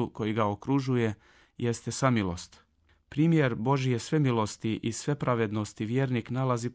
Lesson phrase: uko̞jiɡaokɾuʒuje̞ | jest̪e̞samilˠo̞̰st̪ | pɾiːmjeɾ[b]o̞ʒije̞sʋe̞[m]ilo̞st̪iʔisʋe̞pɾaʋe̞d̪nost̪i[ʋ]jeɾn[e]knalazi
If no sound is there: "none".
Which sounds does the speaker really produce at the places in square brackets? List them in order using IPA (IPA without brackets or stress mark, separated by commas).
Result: b, m, ʋ, i